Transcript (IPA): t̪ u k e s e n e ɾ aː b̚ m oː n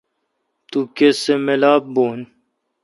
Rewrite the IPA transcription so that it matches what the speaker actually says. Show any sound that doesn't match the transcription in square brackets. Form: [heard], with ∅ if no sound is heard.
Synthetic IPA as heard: t̪ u k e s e [m] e [l] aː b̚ [b] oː n